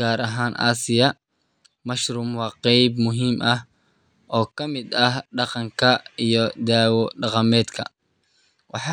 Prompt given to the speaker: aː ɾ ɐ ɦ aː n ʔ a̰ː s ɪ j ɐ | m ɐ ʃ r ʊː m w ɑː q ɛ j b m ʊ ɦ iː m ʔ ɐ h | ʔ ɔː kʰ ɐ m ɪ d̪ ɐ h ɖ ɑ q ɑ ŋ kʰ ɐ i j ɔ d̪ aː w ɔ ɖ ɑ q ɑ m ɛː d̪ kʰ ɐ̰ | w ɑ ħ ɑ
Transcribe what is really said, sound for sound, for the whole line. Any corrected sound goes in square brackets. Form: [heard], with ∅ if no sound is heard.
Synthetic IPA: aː ɾ ɐ ɦ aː n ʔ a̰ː s ɪ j ɐ | m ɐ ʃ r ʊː m w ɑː q ɛ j b m ʊ ɦ iː m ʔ ɐ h | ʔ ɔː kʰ ɐ m ɪ d̪ ɐ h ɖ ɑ q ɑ ŋ kʰ ɐ i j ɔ d̪ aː w ɔ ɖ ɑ q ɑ m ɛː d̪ kʰ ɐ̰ | w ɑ ħ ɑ